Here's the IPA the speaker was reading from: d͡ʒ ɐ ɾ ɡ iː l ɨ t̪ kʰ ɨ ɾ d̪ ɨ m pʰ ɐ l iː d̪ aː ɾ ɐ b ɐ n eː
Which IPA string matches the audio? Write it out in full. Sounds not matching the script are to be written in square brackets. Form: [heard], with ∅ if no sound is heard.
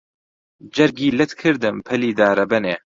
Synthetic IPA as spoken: d͡ʒ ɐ ɾ ɡ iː l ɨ t̪ kʰ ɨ ɾ d̪ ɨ m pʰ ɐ l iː d̪ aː ɾ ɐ b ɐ n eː